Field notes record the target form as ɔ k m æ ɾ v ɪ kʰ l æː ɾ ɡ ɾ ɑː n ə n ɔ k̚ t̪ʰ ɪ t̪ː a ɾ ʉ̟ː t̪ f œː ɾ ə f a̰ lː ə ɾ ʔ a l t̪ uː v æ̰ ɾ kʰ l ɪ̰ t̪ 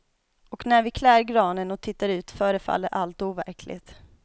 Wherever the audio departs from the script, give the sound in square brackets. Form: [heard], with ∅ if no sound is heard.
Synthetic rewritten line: ɔ k [n] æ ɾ v ɪ kʰ l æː ɾ ɡ ɾ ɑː n ə n ɔ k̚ t̪ʰ ɪ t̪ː a ɾ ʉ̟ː t̪ f œː ɾ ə f a̰ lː ə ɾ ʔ a l t̪ uː v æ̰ ɾ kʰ l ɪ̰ t̪